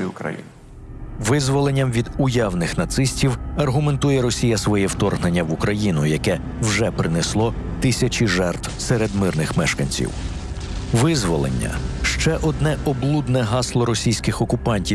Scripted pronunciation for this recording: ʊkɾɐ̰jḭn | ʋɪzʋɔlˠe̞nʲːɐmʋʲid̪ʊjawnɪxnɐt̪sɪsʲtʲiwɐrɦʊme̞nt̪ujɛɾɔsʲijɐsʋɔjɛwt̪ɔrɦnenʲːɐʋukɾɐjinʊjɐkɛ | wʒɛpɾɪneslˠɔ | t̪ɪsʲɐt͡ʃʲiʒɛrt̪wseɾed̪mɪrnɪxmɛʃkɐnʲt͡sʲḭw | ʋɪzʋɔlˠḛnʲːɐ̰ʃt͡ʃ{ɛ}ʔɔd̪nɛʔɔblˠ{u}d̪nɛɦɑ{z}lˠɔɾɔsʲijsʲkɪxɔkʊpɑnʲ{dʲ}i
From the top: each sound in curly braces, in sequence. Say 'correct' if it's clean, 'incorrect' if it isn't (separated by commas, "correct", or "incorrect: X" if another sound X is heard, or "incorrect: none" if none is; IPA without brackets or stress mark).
correct, correct, incorrect: s, incorrect: tʲ